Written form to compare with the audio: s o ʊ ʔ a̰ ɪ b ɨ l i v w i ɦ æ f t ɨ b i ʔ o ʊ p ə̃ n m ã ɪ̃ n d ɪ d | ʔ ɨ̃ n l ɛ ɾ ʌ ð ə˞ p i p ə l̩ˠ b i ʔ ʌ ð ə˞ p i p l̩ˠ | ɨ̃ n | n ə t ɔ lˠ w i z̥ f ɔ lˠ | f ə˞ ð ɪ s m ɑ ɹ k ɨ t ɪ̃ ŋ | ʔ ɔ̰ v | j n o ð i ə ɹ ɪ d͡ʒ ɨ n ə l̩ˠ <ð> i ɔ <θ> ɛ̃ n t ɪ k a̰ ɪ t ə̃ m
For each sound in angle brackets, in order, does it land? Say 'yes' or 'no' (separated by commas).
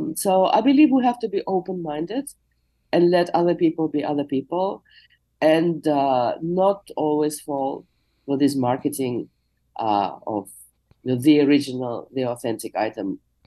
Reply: yes, yes